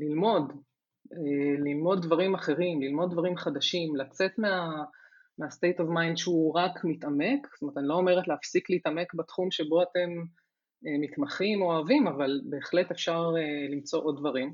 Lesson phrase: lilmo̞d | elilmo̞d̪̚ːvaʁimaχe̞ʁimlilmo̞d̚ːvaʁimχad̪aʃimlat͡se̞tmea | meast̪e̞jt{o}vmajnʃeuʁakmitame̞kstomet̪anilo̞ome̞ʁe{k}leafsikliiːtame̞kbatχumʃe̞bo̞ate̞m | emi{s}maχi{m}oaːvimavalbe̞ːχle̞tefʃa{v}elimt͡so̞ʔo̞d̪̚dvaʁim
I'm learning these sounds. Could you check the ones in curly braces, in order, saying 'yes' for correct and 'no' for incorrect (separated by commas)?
yes, no, no, yes, no